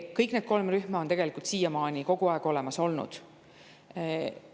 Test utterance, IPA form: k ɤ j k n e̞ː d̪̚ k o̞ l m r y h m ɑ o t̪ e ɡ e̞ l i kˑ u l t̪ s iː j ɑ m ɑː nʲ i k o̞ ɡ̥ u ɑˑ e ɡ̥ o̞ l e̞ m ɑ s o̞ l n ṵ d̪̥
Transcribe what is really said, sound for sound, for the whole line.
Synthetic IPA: k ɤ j k n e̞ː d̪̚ k o̞ l m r y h m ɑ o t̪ e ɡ e̞ l i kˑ u l t̪ s iː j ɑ m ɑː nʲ i k o̞ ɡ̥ u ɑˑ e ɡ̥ o̞ l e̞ m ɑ s o̞ l n ṵ d̪̥